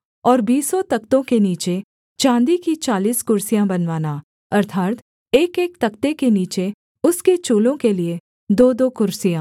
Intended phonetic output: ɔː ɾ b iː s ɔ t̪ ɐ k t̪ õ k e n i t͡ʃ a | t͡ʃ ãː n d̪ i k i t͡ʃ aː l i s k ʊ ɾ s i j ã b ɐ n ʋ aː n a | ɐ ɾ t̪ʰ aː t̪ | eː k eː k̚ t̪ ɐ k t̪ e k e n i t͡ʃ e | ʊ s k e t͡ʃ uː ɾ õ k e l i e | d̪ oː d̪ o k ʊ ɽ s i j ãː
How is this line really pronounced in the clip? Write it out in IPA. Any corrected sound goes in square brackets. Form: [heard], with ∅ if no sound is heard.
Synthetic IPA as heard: ɔː ɾ b iː s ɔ t̪ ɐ k t̪ õ k e n [iː] t͡ʃ [e] | t͡ʃ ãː n d̪ i k i t͡ʃ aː l [iː] s k ʊ ɾ s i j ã b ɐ n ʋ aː n a | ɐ ɾ t̪ʰ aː t̪ | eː k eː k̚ t̪ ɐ k t̪ e k e n [iː] t͡ʃ e | ʊ s k e t͡ʃ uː [l] õ k e l i e | d̪ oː d̪ o k ʊ [ɾ] s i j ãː

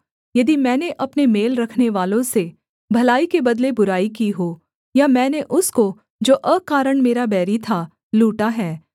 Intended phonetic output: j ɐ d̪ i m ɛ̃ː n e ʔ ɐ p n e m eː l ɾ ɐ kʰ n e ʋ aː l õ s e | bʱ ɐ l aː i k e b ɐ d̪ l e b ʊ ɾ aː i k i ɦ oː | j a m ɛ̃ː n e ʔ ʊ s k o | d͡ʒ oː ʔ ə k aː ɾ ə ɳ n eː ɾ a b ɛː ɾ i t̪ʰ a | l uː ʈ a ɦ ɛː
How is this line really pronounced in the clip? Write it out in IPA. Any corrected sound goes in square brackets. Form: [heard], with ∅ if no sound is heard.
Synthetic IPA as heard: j ɐ d̪ i m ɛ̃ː n e ʔ ɐ p n e m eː l ɾ ɐ kʰ n e ʋ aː l õ s e | bʱ ɐ l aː i k e b ɐ d̪ l e b ʊ ɾ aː i k i ɦ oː | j a m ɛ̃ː n e ʔ ʊ s k o | d͡ʒ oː ʔ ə k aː ɾ ə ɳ [m] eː ɾ a b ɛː ɾ i t̪ʰ a | l uː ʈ a ɦ ɛː

